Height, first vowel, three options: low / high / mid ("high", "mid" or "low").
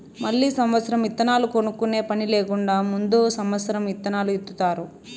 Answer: low